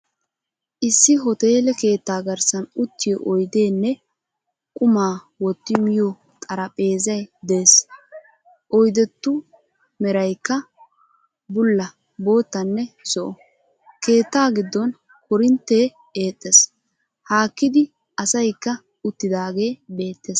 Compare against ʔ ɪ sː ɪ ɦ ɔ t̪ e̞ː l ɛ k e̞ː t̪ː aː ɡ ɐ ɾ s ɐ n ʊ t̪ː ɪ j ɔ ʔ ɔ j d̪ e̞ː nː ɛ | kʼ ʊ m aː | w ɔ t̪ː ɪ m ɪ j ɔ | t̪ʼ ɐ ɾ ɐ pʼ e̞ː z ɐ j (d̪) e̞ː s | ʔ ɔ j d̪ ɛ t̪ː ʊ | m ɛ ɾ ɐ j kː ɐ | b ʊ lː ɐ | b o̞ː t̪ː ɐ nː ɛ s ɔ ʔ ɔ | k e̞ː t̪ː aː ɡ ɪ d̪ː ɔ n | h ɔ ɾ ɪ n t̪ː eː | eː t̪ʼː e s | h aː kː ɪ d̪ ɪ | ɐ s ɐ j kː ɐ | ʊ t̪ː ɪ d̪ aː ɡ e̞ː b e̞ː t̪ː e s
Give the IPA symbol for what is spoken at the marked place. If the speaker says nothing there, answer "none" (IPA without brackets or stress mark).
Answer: d̪